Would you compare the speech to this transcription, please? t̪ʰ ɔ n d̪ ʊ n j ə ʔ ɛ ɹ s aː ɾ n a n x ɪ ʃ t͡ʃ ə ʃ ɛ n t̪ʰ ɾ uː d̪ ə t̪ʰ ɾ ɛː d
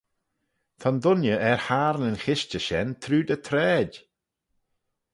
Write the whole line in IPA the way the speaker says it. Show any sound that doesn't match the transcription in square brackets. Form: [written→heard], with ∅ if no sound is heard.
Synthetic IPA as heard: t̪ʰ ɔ n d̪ ʊ n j ə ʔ ɛ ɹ [s→h] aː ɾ n [a→ə] n x ɪ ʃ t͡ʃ ə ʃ ɛ n t̪ʰ ɾ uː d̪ ə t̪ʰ ɾ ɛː d

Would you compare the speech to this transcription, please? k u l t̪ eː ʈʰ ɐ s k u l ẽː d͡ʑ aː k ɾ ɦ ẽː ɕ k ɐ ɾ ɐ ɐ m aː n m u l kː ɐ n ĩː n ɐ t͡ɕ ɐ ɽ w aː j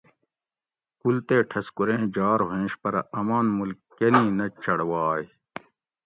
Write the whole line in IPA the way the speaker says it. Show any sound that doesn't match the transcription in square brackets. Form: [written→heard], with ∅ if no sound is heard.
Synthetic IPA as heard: k u l t̪ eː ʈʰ ɐ s k u [l→ɾ] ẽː d͡ʑ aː [k→∅] ɾ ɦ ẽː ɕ [k→p] ɐ ɾ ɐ ɐ m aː n m u l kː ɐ n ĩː n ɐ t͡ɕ ɐ ɽ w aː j

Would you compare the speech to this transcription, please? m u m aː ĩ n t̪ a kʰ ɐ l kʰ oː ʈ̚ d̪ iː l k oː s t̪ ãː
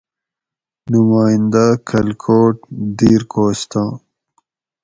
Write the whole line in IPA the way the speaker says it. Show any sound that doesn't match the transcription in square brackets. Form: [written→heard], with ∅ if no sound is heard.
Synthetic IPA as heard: [m→n] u m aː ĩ n [t̪→d̪] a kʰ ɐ l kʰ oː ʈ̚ d̪ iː [l→ɾ] k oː s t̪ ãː

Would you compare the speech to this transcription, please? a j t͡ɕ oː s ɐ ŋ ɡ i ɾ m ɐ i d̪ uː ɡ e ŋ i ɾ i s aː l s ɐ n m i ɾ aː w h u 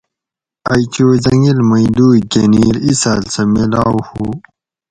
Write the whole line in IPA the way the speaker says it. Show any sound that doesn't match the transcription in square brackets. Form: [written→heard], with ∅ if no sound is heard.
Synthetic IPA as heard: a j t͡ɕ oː [s→z] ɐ ŋ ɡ i [ɾ→l] m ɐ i d̪ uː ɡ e [ŋ→n] i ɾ i s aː l s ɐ [n→∅] m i [ɾ→l] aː w h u

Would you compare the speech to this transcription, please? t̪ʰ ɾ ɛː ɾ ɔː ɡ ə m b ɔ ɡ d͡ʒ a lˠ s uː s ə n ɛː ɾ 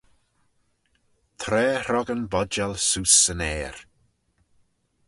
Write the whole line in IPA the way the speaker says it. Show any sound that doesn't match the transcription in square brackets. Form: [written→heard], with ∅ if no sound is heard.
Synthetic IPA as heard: t̪ʰ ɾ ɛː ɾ [ɔː→ɔ] ɡ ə [m→n] b ɔ [ɡ→∅] d͡ʒ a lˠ s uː s ə n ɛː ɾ

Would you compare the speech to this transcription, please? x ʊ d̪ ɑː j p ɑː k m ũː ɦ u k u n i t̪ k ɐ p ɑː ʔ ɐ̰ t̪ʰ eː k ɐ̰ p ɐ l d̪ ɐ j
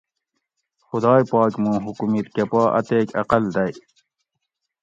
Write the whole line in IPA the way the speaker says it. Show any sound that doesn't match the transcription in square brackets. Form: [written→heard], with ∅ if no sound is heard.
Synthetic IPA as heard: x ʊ d̪ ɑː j p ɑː k m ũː ɦ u k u [n→m] i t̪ k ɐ p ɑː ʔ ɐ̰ [t̪ʰ→t̪] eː k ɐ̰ [p→q] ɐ l d̪ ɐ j

